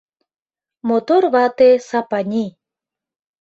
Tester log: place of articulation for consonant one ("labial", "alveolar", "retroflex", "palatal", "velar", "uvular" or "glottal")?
labial